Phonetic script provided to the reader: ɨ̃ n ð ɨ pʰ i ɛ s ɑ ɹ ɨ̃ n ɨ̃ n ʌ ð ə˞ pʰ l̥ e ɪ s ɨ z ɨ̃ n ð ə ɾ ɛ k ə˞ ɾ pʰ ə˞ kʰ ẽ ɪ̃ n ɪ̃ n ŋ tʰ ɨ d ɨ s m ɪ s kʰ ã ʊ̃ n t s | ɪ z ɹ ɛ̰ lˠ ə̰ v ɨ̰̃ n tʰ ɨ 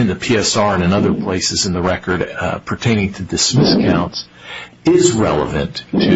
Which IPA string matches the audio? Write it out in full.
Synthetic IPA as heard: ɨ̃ n ð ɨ pʰ i ɛ s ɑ ɹ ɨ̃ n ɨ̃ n ʌ ð ə˞ pʰ l̥ e ɪ s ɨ z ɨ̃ n ð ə ɹ ɛ k ə˞ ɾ pʰ ə˞ tʰ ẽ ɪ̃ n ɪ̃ ŋ tʰ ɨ d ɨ s m ɪ s kʰ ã ʊ̃ n t s | ɪ z ɹ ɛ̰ lˠ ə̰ v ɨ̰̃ n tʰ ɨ